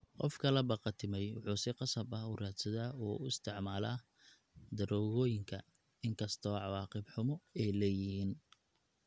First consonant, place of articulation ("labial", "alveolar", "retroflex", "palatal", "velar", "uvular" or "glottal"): uvular